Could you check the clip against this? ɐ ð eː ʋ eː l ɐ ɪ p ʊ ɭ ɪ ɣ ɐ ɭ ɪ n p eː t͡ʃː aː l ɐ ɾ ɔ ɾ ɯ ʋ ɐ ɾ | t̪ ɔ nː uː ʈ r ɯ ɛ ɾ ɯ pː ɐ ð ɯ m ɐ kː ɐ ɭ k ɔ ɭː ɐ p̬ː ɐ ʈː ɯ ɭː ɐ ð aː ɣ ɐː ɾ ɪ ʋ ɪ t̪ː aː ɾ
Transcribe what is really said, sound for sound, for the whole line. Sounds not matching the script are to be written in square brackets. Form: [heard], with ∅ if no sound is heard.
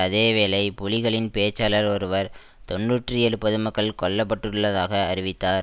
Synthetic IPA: ɐ ð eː ʋ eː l ɐ ɪ p ʊ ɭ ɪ ɣ ɐ ɭ ɪ n p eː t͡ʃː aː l ɐ ɾ ɔ ɾ ɯ ʋ ɐ ɾ | t̪ ɔ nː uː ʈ r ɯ ɛ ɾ ɯ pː ɐ ð ɯ m ɐ kː ɐ ɭ k ɔ ɭː ɐ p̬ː ɐ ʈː ɯ ɭː ɐ ð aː ɣ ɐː ɾ ɪ ʋ ɪ t̪ː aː ɾ